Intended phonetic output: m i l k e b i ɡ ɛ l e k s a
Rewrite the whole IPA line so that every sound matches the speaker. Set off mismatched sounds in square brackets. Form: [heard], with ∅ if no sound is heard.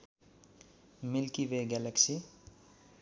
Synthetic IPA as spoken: m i l k [i] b [e] ɡ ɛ l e k s [i]